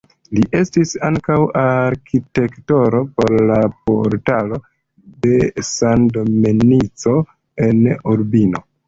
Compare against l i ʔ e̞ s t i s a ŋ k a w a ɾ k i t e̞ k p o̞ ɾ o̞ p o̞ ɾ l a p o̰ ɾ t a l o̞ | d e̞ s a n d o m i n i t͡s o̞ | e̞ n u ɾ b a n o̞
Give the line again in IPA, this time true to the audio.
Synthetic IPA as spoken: l i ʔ e̞ s t i s a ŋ k a w a ɾ k i t e̞ k t o̞ ɾ o̞ p o̞ ɾ l a p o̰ ɾ t a l o̞ | d e̞ s a n d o m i n i t͡s o̞ | e̞ n u ɾ b i n o̞